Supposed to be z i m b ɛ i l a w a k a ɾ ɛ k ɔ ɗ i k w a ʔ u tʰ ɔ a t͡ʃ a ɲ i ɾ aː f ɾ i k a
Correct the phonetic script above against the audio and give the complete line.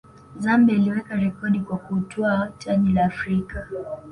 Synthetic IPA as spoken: z a m b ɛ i l i w ɛ k a ɾ ɛ k ɔ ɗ i k w a k u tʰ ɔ a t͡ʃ a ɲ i l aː f ɾ i k a